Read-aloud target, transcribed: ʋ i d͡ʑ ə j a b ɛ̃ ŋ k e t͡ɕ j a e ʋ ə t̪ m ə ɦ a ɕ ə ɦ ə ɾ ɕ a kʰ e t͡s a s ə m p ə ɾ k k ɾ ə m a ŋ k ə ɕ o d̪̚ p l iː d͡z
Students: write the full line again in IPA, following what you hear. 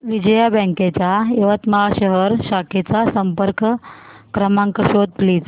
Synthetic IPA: ʋ i d͡ʑ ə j a b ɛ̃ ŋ k e t͡ɕ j a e ʋ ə t̪ m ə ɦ a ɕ ə ɦ ə ɾ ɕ a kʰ e t͡s a s ə m p ə ɾ k k ɾ ə m a ŋ k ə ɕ o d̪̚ p l iː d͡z